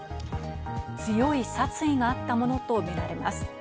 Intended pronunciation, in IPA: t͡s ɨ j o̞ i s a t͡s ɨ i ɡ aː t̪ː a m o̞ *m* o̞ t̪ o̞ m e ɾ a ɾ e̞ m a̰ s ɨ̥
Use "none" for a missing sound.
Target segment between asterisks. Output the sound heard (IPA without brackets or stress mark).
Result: n